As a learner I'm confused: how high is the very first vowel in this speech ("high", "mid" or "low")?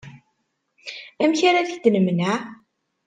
low